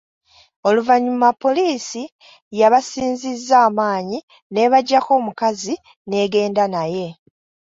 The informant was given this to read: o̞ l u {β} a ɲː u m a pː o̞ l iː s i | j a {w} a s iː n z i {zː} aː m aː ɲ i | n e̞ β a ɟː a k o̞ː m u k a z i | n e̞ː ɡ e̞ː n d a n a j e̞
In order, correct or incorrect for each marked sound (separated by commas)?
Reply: incorrect, incorrect, correct